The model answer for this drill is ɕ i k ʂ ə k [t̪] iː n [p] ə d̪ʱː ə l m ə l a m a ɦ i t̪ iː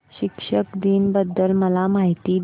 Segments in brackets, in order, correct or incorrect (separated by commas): incorrect, incorrect